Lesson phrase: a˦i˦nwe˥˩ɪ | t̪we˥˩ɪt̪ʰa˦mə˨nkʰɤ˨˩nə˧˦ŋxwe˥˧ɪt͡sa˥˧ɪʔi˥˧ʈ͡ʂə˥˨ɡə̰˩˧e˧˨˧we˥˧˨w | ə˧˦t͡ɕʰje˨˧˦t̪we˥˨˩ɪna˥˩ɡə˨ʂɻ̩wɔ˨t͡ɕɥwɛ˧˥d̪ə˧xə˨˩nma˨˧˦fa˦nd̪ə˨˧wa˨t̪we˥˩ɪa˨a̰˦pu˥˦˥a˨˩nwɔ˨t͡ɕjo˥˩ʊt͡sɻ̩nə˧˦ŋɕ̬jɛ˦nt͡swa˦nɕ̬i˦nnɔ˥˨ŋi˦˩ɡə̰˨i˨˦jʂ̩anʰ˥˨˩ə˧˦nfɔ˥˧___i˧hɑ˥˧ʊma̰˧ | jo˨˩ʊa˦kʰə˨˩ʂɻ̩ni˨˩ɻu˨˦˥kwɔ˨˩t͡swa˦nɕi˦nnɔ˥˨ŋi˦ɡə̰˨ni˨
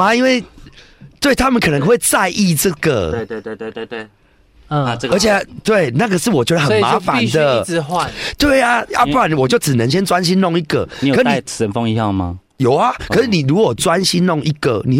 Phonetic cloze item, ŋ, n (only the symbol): ŋ